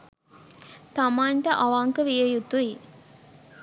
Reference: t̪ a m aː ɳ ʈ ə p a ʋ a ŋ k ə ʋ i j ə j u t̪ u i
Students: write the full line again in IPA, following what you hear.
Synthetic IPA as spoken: t̪ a m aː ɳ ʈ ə ʔ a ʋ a ŋ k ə ʋ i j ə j u t̪ u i